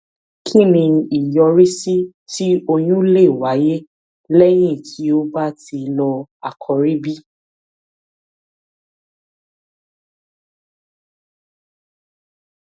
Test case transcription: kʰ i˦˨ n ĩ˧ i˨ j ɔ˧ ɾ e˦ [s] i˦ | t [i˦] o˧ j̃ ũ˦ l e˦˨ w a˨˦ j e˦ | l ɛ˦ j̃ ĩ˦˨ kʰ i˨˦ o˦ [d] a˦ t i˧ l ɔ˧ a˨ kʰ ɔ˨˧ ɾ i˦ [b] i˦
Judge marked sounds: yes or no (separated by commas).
yes, yes, no, yes